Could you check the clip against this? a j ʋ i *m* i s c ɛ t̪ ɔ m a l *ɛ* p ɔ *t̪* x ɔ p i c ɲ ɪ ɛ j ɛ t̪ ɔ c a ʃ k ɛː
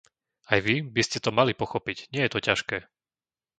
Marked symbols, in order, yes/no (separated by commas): no, no, no